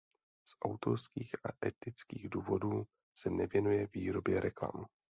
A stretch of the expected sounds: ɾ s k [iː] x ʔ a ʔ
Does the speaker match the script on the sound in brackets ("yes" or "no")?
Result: yes